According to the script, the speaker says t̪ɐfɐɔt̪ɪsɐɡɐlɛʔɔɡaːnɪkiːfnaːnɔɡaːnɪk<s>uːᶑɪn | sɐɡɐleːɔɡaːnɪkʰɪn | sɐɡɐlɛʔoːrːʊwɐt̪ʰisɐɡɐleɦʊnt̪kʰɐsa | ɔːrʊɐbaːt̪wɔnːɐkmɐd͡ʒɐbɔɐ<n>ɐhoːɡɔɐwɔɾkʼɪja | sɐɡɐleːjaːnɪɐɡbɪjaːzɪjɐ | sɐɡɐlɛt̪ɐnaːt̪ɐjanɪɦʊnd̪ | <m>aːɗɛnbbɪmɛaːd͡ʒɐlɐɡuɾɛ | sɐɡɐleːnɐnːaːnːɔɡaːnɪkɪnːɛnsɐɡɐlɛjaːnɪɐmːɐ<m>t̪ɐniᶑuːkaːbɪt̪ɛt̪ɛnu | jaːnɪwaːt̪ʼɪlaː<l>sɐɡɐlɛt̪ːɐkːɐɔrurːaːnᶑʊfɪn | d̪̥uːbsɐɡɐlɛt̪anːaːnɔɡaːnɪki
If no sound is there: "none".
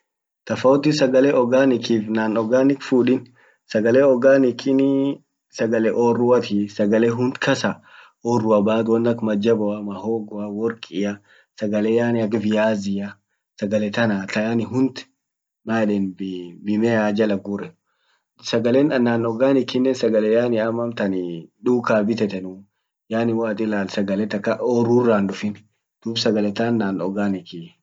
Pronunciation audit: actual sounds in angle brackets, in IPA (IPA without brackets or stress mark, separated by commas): f, m, m, m, l